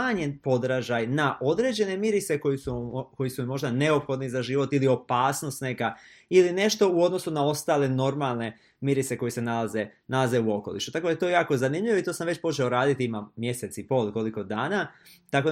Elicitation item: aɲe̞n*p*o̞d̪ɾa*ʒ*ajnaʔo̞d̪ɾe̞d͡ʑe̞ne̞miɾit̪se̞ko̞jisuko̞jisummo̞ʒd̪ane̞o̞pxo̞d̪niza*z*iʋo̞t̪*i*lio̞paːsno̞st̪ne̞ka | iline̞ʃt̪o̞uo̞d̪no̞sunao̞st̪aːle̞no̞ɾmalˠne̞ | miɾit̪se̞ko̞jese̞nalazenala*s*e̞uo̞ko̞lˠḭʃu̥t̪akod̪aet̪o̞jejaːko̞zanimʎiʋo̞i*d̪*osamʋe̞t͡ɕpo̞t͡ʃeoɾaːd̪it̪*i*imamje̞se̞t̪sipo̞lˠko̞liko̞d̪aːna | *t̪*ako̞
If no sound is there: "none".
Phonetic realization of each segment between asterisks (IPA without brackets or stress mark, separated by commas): p, ʒ, ʒ, i, z, t̪, i, t̪